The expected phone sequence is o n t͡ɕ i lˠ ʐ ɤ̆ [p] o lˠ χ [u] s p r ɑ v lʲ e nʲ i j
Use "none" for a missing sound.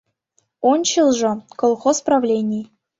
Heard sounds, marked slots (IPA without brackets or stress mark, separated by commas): k, o